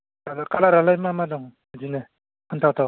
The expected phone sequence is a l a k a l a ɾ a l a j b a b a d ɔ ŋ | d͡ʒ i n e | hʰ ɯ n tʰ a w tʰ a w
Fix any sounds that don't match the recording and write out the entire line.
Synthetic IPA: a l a k a l a ɾ a l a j m a m a d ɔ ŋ | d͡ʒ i n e | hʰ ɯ n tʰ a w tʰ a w